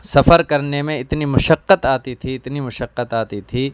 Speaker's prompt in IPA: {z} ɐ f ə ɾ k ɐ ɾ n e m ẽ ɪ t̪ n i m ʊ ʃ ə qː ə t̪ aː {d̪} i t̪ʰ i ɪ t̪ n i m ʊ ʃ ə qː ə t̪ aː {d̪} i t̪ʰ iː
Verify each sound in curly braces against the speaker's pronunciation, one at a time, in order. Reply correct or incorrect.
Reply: incorrect, incorrect, incorrect

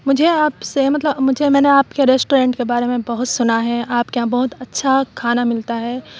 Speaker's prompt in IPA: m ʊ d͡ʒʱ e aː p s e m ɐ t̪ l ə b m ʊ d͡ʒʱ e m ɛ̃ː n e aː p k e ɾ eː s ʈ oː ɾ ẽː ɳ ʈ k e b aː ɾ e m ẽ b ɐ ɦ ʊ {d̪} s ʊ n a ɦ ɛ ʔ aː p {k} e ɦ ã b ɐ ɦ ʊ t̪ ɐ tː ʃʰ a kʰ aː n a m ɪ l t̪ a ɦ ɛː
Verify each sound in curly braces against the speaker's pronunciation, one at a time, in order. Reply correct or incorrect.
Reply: incorrect, correct

